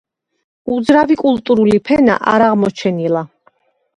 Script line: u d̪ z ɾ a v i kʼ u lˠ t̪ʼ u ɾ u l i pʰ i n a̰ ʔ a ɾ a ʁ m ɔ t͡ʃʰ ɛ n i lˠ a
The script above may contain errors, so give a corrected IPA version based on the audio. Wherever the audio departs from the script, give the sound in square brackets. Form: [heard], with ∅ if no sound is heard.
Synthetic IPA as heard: u d̪ z ɾ a v i kʼ u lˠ t̪ʼ u ɾ u l i pʰ [ɛ] n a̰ ʔ a ɾ a ʁ m ɔ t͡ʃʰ ɛ n i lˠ a